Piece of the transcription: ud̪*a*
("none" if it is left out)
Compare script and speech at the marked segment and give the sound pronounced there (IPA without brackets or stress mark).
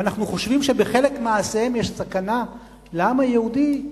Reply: i